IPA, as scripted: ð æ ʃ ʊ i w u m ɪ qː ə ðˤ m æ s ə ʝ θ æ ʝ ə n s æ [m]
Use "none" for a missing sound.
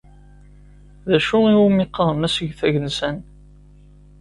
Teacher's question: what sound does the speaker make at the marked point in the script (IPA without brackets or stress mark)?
n